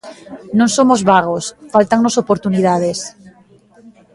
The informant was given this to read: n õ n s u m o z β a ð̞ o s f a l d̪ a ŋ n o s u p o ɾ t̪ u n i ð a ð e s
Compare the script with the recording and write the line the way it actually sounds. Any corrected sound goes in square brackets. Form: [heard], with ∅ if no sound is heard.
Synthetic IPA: n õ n s [o] m o z β a [ɣ̞] o s f a l [t̪] a ŋ n o s [o] p o ɾ t̪ u n i ð a ð e s

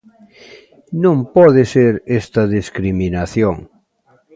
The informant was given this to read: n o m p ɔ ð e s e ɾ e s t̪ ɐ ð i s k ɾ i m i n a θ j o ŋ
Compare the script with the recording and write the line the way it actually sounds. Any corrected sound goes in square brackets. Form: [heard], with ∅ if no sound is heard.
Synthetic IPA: n [õ] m p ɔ ð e s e ɾ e s t̪ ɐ ð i s k ɾ i m i n a θ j o ŋ

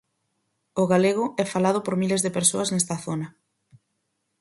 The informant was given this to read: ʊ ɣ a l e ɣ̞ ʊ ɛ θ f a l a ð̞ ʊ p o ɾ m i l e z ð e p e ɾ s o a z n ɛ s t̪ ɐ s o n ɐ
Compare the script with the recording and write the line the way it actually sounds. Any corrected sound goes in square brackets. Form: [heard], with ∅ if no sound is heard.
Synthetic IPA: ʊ ɣ a l e ɣ̞ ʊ ɛ [∅] f a l a ð̞ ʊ p o ɾ m i l e z ð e p e ɾ s o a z n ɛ s t̪ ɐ [θ] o n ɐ

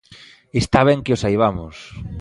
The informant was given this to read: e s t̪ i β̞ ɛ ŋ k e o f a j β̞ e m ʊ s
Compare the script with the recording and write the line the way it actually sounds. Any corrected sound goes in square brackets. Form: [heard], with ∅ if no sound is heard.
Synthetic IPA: e s t̪ [a] β̞ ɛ ŋ k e o [s] a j β̞ [a] m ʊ s

